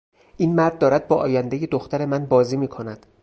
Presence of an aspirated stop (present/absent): present